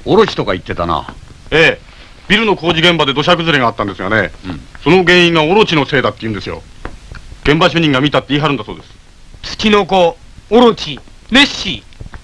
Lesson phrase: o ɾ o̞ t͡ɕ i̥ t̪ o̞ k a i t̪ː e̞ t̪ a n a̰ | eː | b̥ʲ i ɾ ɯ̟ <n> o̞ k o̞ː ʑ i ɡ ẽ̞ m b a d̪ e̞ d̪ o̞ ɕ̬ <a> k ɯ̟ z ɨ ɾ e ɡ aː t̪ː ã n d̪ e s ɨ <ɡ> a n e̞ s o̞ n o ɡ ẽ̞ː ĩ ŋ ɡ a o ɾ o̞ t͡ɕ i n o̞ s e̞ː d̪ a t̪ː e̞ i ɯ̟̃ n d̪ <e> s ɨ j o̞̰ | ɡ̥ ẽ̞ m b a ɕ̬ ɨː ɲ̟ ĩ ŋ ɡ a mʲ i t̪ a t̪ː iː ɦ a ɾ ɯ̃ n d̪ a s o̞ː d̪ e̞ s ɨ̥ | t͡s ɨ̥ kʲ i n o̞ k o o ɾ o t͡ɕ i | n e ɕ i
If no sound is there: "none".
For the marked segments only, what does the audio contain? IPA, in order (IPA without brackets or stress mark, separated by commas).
n, a, ɡ, e